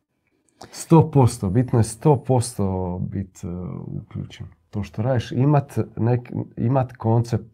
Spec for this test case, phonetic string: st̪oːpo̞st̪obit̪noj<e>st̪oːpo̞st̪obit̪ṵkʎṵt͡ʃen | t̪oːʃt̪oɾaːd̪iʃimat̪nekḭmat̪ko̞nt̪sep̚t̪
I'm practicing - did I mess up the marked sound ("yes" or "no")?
no